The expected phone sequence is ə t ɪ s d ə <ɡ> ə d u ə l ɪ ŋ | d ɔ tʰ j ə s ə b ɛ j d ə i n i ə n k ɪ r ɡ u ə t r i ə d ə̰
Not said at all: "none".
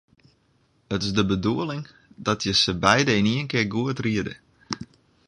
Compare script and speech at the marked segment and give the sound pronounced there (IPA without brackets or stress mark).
b